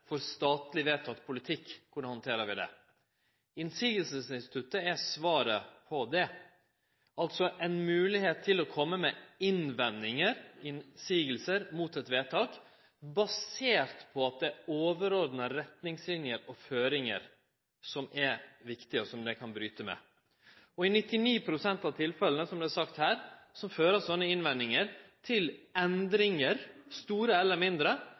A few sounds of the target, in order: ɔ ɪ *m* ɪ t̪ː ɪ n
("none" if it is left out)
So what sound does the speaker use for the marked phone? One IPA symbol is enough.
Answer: n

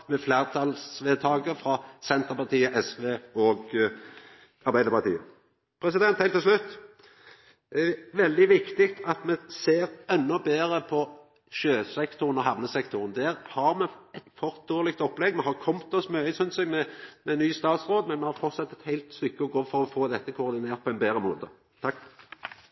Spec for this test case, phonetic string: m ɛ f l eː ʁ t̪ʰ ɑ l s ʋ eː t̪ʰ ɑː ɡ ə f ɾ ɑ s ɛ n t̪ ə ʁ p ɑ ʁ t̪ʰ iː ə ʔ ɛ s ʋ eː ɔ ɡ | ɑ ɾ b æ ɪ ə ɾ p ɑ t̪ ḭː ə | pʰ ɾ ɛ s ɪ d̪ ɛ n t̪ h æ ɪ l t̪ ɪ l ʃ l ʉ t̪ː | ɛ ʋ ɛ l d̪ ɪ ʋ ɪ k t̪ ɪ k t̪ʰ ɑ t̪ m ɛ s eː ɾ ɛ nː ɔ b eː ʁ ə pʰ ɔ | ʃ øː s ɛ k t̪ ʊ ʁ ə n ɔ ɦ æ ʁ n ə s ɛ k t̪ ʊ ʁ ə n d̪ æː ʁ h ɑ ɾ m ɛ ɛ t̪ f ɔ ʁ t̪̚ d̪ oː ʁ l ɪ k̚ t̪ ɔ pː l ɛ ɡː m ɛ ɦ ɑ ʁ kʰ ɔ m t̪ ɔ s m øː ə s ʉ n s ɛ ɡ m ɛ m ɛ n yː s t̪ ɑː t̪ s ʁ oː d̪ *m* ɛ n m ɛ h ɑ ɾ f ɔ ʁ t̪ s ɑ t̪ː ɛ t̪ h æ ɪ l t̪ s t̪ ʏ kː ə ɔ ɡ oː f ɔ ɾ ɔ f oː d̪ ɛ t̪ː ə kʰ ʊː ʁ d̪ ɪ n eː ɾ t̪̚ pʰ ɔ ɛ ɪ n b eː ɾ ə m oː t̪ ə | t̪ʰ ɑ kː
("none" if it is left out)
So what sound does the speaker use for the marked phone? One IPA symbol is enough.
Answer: m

